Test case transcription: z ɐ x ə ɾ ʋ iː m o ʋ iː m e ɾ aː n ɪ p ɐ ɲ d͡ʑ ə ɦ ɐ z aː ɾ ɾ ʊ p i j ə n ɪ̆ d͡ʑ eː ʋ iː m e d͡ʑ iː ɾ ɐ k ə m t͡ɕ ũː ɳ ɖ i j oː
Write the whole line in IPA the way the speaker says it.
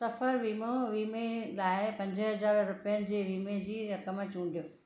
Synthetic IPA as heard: s ɐ f ə ɾ ʋ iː m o ʋ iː m e l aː ɪ p ɐ̃ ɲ d͡ʑ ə ɦ ɐ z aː ɾ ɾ ʊ p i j ə n ɪ̆ d͡ʑ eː ʋ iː m e d͡ʑ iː ɾ ɐ k ə m t͡ɕ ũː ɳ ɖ i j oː